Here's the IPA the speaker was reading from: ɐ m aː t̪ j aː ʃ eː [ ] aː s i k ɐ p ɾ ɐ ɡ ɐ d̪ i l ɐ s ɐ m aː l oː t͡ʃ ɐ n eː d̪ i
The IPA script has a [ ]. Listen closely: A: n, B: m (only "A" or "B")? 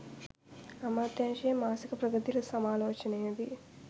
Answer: B